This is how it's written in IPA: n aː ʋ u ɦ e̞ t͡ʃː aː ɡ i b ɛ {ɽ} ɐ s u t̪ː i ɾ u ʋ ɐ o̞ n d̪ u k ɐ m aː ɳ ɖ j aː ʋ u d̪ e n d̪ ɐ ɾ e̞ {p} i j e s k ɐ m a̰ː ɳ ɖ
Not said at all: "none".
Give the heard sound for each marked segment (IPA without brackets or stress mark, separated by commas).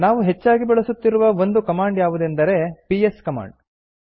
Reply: ɭ, p